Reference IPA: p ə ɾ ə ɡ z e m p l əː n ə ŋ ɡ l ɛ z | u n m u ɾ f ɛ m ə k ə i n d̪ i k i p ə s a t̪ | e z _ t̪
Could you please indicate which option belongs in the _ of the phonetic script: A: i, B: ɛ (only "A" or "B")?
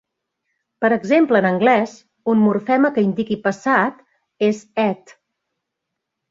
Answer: B